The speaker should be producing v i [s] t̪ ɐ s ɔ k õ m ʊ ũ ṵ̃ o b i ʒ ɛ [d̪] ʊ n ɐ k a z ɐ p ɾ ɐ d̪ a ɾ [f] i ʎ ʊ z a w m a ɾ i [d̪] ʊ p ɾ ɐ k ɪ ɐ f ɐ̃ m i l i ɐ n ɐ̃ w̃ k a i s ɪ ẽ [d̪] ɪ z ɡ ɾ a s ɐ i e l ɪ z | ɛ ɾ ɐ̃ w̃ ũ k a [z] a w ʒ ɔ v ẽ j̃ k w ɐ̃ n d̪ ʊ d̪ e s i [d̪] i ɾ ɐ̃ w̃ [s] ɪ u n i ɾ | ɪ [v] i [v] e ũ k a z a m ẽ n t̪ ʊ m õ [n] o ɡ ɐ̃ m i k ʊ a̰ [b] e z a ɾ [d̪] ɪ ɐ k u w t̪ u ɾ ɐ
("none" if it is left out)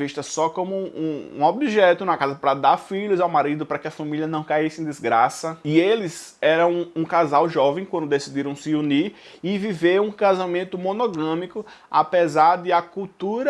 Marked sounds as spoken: ʃ, t̪, f, d̪, d̪, z, d̪, s, v, v, n, p, d̪

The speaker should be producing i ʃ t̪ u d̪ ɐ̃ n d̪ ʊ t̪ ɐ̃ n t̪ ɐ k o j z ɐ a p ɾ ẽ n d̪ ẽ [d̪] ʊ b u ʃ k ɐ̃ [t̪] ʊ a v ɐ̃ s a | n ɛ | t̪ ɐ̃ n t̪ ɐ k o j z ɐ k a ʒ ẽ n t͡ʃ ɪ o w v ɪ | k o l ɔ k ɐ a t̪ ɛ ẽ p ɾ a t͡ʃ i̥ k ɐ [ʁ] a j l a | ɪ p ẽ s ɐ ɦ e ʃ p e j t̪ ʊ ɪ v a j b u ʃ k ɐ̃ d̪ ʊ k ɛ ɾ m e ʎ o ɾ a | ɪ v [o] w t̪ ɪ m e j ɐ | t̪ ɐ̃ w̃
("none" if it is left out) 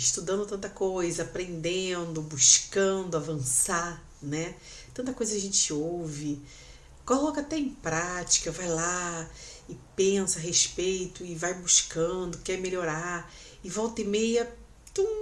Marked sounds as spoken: d̪, d̪, v, ɔ

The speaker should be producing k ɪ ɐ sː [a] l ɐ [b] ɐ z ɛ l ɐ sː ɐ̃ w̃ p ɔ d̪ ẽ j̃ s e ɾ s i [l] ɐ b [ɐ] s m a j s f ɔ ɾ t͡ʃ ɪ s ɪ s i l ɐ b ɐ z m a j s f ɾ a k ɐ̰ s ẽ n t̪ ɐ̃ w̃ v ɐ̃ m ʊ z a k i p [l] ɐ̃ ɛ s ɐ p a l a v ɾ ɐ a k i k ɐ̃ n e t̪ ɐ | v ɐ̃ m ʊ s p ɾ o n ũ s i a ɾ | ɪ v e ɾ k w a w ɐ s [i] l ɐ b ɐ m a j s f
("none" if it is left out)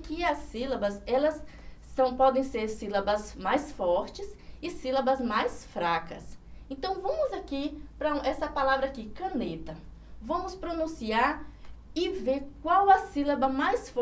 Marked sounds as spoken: i, b, l, ɐ, ɾ, i

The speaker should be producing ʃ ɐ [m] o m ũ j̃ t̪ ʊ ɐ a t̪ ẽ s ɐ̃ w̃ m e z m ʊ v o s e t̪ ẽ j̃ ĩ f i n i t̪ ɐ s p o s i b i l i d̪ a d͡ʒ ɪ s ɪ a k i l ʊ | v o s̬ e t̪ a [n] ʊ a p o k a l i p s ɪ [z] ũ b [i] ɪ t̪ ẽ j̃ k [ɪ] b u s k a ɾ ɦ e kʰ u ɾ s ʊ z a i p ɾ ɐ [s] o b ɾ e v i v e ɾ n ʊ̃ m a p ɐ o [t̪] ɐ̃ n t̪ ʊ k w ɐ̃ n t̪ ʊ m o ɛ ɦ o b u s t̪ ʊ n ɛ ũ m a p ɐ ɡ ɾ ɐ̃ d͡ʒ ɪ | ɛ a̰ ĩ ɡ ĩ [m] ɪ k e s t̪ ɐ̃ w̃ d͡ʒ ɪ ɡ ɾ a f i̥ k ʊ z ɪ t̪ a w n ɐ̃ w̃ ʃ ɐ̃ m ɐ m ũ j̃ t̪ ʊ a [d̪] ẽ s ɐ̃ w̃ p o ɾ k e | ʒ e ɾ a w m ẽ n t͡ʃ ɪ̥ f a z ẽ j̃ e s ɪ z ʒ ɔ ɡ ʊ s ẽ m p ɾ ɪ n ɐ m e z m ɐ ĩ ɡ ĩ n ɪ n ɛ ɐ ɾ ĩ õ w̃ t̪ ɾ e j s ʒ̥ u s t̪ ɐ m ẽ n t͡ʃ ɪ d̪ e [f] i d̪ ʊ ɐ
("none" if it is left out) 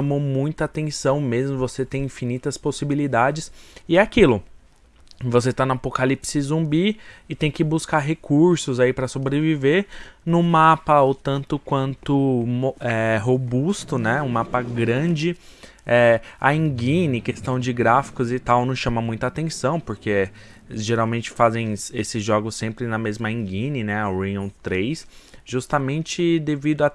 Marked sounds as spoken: m, n, z, i, ɪ, s, t̪, n, t̪, v

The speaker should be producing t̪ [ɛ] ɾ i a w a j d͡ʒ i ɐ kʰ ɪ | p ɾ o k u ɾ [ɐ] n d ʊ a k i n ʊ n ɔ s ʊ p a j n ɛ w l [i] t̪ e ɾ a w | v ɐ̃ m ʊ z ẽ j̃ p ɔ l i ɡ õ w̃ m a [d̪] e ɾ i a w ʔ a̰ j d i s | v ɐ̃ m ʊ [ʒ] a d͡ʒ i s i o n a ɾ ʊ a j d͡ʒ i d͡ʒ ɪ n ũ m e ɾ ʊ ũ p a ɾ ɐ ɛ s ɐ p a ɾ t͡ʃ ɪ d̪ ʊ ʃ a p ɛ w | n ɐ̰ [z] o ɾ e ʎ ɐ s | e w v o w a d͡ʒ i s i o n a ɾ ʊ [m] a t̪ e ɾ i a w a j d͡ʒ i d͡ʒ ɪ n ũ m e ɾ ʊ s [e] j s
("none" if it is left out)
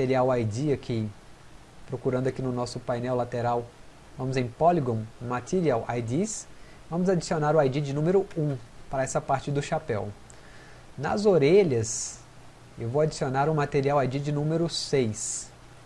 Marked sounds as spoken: e, ɐ̃, a, t̪, z, z, m, e

